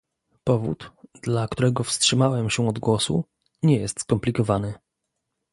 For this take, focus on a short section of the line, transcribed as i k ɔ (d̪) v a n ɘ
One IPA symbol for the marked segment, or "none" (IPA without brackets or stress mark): none